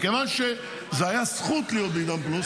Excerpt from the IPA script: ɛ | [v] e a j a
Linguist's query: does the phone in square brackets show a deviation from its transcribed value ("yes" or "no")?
yes